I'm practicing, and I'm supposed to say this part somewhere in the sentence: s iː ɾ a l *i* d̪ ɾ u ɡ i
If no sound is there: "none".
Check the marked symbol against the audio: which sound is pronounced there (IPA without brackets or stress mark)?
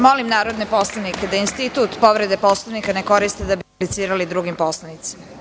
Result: i